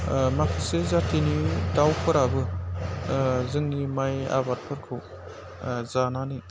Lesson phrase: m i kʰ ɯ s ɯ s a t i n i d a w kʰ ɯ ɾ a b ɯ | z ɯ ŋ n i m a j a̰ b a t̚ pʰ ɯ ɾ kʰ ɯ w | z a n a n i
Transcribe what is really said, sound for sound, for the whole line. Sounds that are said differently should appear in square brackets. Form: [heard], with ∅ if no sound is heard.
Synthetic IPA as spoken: m [a] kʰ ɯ s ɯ [z] a t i n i d a w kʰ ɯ ɾ a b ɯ | z ɯ ŋ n i m a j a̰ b a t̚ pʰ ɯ ɾ kʰ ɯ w | z a n a n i